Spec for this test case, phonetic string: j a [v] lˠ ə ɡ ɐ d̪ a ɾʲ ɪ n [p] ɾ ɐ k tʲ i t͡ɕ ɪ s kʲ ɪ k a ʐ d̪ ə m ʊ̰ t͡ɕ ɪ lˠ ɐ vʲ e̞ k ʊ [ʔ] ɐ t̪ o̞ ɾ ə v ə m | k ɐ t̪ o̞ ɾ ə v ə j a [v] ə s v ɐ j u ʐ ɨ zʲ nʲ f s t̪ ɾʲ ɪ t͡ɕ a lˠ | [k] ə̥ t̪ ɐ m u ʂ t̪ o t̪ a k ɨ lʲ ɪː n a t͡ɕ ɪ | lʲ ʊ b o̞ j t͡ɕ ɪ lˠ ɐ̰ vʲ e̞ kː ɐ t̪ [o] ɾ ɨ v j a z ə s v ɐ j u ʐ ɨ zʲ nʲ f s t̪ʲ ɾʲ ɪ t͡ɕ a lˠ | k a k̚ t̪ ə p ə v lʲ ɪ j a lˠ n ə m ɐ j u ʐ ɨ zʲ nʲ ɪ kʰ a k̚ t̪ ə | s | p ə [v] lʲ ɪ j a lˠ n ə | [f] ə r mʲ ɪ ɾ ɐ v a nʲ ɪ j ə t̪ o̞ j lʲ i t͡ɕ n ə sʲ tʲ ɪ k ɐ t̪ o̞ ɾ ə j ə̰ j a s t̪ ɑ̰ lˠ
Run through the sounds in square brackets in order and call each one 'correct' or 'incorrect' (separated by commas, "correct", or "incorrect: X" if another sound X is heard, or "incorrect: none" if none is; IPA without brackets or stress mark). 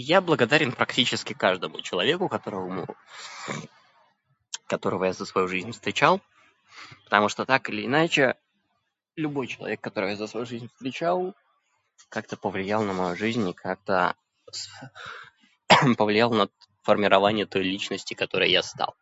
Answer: incorrect: b, correct, incorrect: k, incorrect: z, incorrect: p, correct, correct, correct